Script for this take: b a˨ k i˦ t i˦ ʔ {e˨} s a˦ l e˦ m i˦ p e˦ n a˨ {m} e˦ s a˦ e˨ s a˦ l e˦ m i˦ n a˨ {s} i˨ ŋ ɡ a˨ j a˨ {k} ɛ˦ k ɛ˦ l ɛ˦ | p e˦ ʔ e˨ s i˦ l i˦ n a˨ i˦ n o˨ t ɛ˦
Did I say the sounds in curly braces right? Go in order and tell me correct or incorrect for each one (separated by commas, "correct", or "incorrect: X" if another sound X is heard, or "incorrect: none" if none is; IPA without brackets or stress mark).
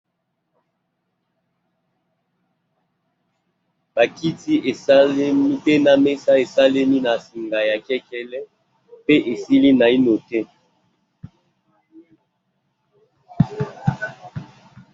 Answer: correct, correct, correct, correct